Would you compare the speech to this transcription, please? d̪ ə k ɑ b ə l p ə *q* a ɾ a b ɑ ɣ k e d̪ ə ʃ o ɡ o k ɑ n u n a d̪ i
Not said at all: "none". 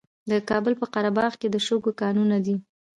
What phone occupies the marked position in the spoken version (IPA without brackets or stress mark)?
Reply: q